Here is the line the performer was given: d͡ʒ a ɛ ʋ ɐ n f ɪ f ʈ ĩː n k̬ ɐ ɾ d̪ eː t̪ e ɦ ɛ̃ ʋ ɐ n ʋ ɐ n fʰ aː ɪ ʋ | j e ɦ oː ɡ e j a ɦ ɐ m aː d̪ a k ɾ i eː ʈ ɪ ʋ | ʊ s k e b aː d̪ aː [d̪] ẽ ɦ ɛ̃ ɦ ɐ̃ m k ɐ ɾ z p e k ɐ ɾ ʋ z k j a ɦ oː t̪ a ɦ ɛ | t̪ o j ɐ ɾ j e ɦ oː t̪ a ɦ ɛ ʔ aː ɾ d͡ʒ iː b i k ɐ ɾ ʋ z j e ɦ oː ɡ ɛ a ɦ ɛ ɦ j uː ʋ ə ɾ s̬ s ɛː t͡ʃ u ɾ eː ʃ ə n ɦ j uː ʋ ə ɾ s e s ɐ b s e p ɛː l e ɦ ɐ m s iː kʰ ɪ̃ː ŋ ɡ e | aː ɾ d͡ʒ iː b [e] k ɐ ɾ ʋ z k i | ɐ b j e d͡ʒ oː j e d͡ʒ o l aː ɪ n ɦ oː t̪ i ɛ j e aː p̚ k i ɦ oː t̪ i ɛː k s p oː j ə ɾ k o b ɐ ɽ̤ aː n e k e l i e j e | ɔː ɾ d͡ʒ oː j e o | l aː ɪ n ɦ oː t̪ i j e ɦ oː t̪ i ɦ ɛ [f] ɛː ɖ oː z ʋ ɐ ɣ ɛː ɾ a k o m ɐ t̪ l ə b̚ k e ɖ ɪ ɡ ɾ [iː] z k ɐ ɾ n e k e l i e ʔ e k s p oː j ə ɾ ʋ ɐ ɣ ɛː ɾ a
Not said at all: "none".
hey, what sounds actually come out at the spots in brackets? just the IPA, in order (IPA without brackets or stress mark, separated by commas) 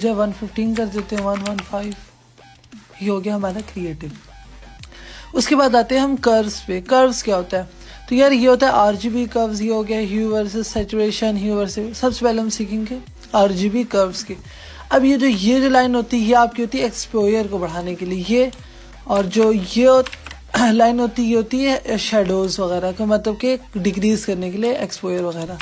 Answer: t̪, i, ʃ, iː